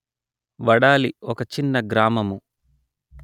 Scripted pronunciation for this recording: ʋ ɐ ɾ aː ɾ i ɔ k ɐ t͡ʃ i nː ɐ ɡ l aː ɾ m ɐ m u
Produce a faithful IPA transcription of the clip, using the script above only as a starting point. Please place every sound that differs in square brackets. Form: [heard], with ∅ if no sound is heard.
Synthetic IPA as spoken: ʋ ɐ [ɽ] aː [l] i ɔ k ɐ t͡ʃ i nː ɐ ɡ [ɾ] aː [∅] m ɐ m u